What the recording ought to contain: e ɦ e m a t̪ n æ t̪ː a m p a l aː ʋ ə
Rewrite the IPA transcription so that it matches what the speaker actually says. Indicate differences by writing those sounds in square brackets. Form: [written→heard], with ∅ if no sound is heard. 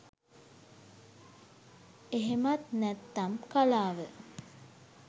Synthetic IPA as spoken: e ɦ e m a t̪ n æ t̪ː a m [p→k] a l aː ʋ ə

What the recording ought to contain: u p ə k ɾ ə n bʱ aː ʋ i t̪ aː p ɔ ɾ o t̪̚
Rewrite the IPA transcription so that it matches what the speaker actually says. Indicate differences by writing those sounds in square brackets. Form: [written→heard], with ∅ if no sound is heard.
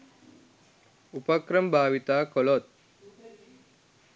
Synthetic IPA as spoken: u p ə k ɾ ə [n→m] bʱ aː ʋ i t̪ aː [p→k] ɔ [ɾ→l] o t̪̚

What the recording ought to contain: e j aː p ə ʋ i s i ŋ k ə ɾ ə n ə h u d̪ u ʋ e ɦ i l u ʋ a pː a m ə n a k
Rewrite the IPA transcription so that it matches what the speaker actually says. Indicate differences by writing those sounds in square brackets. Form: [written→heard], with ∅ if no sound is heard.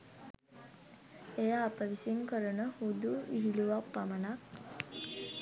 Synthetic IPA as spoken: e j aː p ə ʋ i s i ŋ k ə ɾ ə n ə h u d̪ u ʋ [e→i] ɦ i l u ʋ a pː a m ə n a k

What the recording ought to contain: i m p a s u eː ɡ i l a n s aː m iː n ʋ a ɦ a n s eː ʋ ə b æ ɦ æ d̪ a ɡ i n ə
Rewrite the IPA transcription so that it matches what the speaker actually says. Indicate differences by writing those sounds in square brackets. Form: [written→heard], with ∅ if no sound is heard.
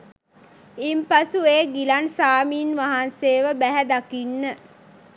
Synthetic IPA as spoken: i m p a s u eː ɡ i l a n s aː m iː n ʋ a ɦ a n s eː ʋ ə b æ ɦ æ d̪ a [ɡ→k] i [n→nː] ə

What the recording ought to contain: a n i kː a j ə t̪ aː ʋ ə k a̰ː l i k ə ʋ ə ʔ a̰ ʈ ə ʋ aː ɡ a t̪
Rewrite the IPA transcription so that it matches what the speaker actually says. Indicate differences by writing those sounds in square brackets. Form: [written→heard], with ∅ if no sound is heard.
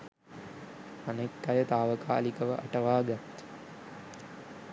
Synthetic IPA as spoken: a n [i→e] kː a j ə t̪ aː ʋ ə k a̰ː l i k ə ʋ ə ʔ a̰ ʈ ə ʋ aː ɡ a t̪

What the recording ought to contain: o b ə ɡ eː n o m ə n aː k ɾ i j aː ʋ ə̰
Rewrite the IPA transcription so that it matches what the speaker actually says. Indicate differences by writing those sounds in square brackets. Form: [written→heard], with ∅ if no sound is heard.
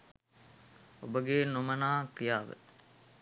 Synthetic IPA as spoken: o b ə ɡ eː n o m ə n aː k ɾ i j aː ʋ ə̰

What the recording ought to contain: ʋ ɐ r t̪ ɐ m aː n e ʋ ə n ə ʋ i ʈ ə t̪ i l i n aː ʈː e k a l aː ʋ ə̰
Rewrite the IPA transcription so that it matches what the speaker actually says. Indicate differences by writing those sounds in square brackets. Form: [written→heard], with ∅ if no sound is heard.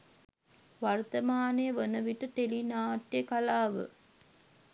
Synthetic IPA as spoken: ʋ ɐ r t̪ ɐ m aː n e ʋ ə n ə ʋ i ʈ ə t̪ [i→e] l i n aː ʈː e k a l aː ʋ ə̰

